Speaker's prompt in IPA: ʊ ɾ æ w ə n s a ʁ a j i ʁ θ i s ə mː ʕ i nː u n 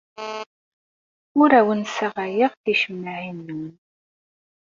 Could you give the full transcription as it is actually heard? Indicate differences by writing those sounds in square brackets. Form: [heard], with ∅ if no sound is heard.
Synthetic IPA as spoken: ʊ ɾ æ w ə n s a ʁ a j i ʁ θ i [ʃ] ə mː ʕ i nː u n